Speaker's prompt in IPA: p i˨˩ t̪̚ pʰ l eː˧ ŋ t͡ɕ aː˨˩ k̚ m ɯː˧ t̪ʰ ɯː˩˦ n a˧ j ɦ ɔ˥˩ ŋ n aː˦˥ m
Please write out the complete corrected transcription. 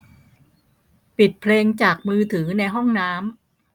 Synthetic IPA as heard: p i˨˩ t̪̚ pʰ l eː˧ ŋ t͡ɕ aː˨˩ k̚ m ɯː˧ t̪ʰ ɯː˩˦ n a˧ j ɦ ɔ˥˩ ŋ n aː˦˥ m